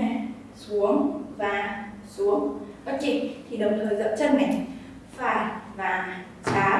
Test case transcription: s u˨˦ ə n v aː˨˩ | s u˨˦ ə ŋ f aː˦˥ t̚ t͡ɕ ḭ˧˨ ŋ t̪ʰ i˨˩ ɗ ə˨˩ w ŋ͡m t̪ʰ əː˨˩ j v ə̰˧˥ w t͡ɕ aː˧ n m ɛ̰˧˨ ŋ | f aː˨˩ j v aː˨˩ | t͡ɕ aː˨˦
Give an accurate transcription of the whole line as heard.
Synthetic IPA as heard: s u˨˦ ə ŋ v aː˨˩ | s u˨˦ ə ŋ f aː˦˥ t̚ t͡ɕ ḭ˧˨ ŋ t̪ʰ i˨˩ ɗ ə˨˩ w ŋ͡m t̪ʰ əː˨˩ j z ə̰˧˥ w t͡ɕ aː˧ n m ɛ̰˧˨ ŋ | f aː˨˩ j v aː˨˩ | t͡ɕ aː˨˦